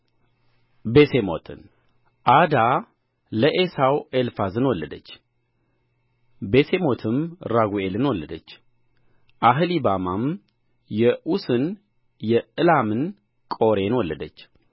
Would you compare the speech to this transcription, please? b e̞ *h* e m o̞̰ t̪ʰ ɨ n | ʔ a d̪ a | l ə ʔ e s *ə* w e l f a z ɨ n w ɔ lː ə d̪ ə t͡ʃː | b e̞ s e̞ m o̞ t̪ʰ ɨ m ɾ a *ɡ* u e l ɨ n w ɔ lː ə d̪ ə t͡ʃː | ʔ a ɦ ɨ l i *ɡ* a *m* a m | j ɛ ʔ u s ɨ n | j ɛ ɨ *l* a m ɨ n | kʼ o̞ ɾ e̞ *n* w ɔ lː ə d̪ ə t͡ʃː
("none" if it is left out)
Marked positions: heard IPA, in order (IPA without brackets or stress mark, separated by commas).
s, a, ɡ, b, m, l, n